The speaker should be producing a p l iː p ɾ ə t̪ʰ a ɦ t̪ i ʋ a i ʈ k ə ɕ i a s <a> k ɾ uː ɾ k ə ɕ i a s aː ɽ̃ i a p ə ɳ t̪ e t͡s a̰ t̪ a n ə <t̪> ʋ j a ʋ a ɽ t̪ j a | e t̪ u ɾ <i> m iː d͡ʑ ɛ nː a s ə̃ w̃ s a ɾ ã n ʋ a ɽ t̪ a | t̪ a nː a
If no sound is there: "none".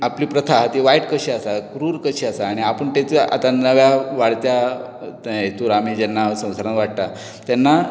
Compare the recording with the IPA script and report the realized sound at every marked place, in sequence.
a, none, a

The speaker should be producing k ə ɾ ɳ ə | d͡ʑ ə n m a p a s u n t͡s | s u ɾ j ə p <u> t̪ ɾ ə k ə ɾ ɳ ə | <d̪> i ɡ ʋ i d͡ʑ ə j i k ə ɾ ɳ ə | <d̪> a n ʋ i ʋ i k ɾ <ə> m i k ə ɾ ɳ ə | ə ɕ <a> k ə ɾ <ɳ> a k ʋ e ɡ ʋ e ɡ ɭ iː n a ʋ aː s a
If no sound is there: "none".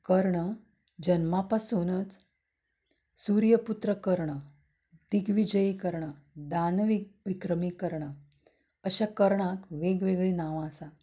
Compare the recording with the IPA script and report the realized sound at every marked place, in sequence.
u, d̪, d̪, ə, a, ɳ

